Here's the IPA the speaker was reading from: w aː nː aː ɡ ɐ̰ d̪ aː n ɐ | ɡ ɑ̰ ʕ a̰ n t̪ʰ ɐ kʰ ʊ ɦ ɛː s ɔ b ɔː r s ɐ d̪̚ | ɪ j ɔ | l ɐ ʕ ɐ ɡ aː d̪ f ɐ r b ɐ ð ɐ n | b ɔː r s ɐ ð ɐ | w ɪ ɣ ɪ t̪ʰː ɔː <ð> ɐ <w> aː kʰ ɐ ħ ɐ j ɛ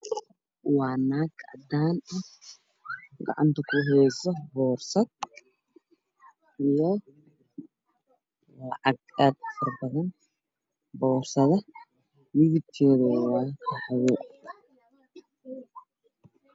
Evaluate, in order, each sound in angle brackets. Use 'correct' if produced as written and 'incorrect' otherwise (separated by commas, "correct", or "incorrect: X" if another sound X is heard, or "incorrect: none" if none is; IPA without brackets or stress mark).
correct, correct